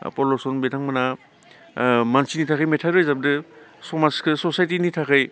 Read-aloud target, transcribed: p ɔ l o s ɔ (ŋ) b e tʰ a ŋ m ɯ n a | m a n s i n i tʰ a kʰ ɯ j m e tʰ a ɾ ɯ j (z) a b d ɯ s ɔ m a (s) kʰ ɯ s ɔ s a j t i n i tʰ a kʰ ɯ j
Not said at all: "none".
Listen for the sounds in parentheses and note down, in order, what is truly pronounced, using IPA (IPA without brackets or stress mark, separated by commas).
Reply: n, z, s